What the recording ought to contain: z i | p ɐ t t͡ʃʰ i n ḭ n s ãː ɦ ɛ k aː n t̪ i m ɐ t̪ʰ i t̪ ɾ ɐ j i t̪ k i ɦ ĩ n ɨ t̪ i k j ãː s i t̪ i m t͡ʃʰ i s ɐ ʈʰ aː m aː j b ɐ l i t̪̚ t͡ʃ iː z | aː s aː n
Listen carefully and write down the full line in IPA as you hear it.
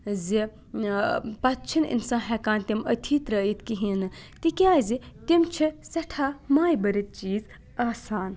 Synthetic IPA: z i | p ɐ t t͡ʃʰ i n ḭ n s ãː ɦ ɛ k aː n t̪ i m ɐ t̪ʰ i t̪ ɾ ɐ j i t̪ k i ɦ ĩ n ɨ t̪ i k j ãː z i t̪ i m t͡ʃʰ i s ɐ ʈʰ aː m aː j b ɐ ɾ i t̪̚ t͡ʃ iː z | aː s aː n

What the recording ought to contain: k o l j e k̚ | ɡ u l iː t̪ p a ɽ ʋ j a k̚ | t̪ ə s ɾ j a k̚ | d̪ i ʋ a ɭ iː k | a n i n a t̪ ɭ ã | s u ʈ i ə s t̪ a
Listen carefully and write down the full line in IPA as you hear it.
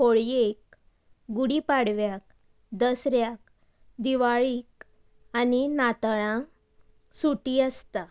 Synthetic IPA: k o ɭ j e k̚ | ɡ u ɽ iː p a ɽ ʋ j a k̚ | d̪ ə s ɾ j a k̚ | d̪ i ʋ a ɭ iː k | a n i n a t̪ ɭ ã | s u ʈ i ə s t̪ a

